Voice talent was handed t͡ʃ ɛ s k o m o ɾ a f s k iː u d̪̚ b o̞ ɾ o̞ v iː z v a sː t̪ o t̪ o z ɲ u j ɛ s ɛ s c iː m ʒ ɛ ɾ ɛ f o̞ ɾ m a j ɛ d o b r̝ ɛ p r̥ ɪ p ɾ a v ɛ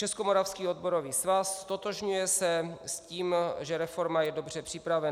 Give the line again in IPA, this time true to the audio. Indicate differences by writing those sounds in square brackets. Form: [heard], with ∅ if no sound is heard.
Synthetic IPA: t͡ʃ ɛ s k o m o ɾ a f s k iː [o] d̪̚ b o̞ ɾ o̞ v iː [s] v a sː t̪ o t̪ o [ʒ] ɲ u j ɛ s ɛ s c iː m ʒ ɛ ɾ ɛ f o̞ ɾ m a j ɛ d o b r̝ ɛ p r̥ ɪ p ɾ a v ɛ